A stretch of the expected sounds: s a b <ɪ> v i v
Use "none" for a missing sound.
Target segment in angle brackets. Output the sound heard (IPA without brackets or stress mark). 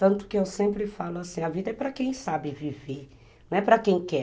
ɪ